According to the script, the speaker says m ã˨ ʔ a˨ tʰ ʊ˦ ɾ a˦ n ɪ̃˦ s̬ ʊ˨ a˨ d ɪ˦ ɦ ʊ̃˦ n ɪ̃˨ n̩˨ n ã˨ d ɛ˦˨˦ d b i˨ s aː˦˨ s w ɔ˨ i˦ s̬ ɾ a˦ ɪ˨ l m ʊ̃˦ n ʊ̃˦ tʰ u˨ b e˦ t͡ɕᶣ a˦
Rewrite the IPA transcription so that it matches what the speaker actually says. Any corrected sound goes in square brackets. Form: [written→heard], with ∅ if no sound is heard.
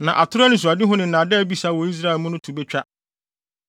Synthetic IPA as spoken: [m→n] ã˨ ʔ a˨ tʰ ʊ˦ ɾ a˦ n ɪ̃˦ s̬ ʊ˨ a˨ d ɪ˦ ɦ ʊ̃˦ n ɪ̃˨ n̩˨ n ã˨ d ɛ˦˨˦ [d→∅] b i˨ s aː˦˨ [s→∅] w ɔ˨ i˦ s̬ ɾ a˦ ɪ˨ l m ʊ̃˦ n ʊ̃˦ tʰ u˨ b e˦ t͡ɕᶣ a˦

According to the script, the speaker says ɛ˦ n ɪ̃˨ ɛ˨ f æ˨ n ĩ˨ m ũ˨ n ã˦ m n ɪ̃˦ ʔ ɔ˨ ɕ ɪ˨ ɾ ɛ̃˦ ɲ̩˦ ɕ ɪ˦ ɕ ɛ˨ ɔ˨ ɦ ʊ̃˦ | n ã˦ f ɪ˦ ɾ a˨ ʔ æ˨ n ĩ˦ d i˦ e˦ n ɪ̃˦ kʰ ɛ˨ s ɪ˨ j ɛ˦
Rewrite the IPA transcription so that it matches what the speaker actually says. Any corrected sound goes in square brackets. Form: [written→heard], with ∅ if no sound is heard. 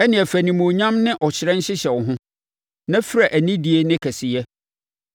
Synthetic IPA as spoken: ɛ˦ n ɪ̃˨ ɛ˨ f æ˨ n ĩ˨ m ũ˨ [n→ɲ] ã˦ m n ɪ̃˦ ʔ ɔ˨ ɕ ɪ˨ ɾ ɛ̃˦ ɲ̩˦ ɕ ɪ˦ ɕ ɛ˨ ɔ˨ ɦ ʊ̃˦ | n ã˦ f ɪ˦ ɾ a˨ ʔ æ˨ n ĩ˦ d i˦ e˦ n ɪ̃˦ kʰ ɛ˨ s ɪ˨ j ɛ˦

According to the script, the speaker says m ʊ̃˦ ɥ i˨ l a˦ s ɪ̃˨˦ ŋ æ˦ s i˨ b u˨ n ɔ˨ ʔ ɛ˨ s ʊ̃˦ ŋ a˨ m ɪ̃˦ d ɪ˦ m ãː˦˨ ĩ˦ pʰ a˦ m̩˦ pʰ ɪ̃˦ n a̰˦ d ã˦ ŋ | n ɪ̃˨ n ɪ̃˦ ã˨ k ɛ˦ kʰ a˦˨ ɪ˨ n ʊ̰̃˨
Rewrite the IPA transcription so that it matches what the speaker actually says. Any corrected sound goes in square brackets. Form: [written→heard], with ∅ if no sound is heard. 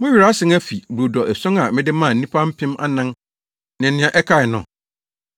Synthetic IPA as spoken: m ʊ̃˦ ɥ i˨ [l→ɾ] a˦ s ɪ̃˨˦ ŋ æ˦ [s→f] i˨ b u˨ [n→d] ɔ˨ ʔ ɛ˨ s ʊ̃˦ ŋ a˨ m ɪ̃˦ d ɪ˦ m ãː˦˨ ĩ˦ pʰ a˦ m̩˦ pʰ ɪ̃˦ [n→m] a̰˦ [d→n] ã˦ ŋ | n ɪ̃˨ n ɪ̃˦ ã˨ [k→ʔ] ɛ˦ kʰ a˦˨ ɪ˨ n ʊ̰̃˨

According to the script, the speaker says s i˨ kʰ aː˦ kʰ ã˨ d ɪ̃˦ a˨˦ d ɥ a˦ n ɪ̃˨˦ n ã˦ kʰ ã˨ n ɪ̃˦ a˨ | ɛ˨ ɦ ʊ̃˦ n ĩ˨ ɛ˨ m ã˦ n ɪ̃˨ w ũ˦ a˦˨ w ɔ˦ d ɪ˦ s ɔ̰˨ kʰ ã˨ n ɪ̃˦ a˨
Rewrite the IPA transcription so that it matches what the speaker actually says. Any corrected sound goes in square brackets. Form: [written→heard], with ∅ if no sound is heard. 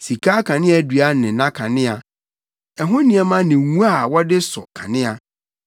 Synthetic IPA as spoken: s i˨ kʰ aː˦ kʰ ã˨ [d→n] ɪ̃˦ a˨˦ d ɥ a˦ n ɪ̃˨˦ n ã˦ kʰ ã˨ n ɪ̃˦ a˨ | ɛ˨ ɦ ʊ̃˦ n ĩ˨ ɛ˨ m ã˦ n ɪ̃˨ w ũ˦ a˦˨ w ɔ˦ d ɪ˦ s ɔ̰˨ kʰ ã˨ n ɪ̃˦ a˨

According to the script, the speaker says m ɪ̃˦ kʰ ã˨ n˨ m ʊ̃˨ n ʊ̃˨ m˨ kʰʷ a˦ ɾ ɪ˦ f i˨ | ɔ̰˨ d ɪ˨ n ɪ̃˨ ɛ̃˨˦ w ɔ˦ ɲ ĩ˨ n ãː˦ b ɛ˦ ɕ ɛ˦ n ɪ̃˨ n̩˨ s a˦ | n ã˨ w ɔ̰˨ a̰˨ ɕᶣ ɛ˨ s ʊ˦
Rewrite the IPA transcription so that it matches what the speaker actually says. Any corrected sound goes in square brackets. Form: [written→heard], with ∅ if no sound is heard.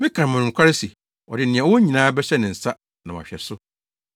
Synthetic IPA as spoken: m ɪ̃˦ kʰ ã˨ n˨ m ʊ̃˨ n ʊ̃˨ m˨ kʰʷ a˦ ɾ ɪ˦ [f→s] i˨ | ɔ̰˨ d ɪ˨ n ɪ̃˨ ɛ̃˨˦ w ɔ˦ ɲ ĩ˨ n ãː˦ b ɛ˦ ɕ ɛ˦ n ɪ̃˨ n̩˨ s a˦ | n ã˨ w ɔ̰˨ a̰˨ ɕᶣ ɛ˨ s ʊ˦

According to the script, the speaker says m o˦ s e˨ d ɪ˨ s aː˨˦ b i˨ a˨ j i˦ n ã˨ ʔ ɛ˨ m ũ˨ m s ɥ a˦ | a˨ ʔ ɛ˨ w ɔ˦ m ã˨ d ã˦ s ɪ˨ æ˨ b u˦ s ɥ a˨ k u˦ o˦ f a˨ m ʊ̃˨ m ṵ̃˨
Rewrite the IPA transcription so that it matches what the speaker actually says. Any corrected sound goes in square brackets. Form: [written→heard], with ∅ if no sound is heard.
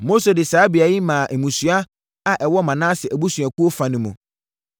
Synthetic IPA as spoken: m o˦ s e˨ d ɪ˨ s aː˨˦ b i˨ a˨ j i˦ [n→m] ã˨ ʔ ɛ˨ m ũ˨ [m→∅] s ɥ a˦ | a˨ ʔ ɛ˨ w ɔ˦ m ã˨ [d→n] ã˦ s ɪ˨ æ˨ b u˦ s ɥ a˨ k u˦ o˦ f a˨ [m→n] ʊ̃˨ m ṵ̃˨

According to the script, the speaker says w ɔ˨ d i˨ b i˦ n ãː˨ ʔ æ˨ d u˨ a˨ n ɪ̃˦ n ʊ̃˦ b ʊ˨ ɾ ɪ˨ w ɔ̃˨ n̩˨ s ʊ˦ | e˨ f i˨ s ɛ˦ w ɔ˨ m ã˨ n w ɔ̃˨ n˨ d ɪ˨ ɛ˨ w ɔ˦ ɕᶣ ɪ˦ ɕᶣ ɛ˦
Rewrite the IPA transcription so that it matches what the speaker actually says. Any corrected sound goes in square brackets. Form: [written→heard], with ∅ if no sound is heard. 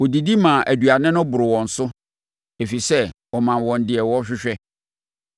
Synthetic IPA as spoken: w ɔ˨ d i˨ [b→d] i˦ [n→m] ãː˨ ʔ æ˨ d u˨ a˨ n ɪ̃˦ n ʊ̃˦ b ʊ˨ ɾ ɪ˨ w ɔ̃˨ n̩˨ s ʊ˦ | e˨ f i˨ s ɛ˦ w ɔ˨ m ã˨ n w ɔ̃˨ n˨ d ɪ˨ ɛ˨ w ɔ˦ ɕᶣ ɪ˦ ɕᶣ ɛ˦

